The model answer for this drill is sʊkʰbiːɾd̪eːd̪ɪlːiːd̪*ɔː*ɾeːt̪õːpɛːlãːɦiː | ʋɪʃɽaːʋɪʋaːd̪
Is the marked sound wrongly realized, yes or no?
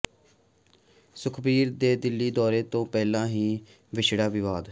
no